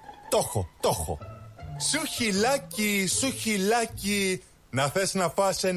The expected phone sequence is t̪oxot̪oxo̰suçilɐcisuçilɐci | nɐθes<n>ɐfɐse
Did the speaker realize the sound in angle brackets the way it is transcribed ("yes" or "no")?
yes